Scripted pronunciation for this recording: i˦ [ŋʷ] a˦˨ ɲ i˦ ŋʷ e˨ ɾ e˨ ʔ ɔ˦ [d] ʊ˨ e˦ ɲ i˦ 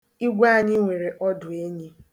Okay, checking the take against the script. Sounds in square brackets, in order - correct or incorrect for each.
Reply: incorrect, correct

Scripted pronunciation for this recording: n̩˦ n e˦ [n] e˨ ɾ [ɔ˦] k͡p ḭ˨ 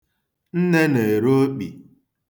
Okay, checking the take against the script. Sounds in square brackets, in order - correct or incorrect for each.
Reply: correct, incorrect

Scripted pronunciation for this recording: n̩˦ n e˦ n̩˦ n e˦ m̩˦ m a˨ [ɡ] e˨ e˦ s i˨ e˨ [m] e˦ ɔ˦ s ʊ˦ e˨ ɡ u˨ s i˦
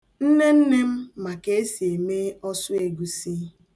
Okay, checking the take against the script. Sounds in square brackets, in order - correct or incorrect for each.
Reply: incorrect, correct

